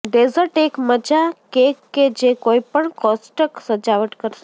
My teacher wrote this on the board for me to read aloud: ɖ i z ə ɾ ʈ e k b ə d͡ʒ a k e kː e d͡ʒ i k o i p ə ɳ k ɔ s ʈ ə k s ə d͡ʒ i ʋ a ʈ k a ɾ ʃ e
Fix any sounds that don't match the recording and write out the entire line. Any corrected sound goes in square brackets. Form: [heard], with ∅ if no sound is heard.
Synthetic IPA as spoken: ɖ [e] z ə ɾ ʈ e k [m] ə d͡ʒ a k e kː e d͡ʒ [e] k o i p ə ɳ k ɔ s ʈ ə k s ə d͡ʒ [a] ʋ [ə] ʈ k [ə] ɾ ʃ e